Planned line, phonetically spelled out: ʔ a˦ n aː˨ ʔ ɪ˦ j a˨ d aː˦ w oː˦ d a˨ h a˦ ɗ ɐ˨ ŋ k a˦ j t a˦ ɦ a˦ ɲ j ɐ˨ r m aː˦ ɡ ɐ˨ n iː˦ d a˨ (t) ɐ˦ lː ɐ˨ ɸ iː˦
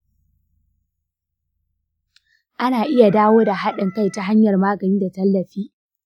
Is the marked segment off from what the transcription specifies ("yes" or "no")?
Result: no